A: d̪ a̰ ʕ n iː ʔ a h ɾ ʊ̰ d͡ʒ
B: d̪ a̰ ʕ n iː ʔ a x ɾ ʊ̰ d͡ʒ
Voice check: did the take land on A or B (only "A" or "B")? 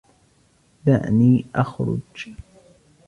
B